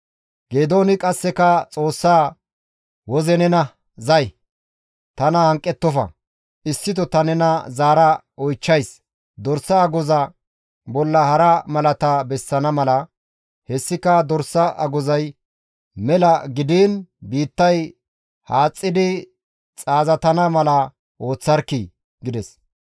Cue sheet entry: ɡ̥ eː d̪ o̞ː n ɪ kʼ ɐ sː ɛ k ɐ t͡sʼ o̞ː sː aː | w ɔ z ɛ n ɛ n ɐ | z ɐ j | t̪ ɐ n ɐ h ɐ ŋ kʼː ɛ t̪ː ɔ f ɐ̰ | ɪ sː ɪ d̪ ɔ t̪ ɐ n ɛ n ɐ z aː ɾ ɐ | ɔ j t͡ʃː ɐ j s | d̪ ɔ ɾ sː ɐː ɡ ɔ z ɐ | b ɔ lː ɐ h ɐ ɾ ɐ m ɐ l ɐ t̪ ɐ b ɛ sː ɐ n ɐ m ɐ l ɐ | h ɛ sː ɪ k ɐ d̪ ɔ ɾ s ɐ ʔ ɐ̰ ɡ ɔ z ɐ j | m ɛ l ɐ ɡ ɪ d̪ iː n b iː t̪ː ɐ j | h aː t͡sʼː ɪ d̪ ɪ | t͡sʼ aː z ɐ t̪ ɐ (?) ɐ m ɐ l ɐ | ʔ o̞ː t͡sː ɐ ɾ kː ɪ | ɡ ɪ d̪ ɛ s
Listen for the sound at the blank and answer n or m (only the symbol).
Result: n